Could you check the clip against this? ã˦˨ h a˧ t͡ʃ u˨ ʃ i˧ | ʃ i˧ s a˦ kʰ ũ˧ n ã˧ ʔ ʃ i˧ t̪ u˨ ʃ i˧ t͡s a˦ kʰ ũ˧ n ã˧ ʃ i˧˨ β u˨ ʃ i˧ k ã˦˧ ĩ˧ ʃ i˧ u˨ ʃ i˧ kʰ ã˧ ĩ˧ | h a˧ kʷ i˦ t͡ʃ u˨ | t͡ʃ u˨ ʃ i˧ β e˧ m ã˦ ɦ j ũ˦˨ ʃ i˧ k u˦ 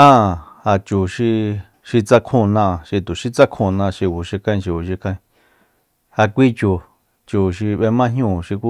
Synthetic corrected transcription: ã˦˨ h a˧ t͡ʃ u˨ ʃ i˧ | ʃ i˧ t͡s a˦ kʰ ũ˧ n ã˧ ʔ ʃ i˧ t̪ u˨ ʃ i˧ t͡s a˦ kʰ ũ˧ n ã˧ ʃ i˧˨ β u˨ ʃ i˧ k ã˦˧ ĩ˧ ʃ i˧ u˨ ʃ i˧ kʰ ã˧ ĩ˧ | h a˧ kʷ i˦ t͡ʃ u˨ | t͡ʃ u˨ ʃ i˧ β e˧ m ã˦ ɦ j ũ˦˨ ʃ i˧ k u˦